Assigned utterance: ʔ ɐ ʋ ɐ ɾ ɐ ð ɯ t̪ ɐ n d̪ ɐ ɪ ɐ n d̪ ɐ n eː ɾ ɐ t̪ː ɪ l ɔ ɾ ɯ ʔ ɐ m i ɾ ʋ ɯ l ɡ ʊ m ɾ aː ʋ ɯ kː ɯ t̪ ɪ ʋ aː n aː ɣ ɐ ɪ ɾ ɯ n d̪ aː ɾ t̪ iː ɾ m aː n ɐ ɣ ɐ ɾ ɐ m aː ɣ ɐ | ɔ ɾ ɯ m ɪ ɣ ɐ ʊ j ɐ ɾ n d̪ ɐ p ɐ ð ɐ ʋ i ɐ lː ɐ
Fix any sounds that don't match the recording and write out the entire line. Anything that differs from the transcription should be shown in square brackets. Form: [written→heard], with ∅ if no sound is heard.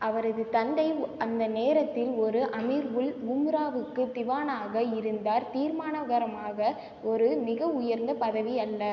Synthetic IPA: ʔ ɐ ʋ ɐ ɾ ɐ ð ɯ t̪ ɐ n d̪ ɐ ɪ ɐ n d̪ ɐ n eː ɾ ɐ t̪ː ɪ l ɔ ɾ ɯ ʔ ɐ m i ɾ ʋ ɯ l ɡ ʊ m ɾ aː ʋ ɯ kː ɯ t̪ ɪ ʋ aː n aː ɣ ɐ ɪ ɾ ɯ n d̪ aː ɾ t̪ iː ɾ m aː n ɐ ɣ ɐ ɾ ɐ m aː ɣ ɐ | ɔ ɾ ɯ m ɪ ɣ ɐ ʊ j ɐ ɾ n d̪ ɐ p ɐ ð ɐ ʋ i ɐ lː ɐ